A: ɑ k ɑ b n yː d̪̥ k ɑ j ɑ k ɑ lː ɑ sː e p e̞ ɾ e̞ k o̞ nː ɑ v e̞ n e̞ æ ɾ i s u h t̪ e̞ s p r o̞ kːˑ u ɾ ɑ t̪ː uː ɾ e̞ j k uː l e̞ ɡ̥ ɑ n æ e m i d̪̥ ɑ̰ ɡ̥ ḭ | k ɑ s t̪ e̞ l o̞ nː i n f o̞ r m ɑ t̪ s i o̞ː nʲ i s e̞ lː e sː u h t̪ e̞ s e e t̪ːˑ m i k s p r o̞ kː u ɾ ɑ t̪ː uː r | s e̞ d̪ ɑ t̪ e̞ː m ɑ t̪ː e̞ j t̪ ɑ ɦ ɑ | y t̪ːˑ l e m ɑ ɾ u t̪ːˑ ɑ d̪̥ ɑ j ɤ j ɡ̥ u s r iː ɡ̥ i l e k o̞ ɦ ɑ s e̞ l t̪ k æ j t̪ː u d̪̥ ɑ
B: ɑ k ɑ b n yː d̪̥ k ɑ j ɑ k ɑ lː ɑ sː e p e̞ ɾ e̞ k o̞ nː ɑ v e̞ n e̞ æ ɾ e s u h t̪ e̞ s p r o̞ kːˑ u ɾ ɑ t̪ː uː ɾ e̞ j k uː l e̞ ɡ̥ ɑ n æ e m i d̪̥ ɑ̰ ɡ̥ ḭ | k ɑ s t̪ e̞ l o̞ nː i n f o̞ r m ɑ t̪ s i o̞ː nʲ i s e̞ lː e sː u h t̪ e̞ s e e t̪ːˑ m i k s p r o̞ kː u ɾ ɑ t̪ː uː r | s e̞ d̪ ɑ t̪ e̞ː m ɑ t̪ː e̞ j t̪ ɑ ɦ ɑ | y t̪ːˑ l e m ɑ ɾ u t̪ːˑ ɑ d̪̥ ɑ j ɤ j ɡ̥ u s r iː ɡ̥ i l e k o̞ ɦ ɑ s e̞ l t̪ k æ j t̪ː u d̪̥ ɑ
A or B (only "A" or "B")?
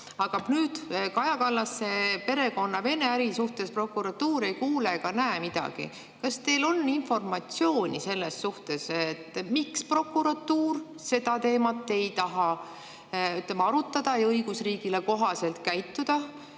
A